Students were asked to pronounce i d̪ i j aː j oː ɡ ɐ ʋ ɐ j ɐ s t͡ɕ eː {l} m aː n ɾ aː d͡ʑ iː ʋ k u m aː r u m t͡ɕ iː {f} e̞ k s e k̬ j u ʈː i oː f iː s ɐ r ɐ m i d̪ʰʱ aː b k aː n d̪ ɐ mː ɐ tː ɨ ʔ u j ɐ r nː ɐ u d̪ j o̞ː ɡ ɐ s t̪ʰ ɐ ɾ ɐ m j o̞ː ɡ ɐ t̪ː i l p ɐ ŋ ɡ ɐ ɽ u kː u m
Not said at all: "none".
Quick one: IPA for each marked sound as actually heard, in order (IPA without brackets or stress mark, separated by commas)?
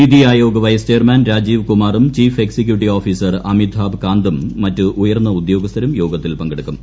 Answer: r, f